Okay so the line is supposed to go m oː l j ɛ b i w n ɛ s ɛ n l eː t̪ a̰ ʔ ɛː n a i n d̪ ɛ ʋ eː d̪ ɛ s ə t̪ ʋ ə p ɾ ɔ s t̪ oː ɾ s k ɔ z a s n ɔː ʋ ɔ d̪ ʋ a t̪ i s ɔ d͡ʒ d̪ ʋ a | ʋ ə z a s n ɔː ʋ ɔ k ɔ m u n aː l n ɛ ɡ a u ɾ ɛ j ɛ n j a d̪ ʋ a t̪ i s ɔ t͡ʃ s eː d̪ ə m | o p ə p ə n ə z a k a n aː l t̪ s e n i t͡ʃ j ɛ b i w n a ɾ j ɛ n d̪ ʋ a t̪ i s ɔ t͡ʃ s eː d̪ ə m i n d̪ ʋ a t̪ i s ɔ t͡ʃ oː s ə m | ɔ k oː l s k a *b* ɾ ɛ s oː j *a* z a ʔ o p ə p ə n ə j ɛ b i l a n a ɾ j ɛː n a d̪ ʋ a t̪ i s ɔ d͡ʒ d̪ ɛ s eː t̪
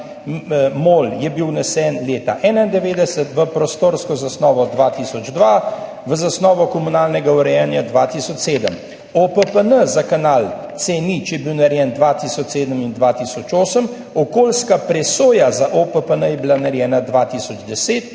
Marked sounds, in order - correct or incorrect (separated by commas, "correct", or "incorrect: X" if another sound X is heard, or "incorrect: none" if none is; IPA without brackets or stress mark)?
incorrect: p, correct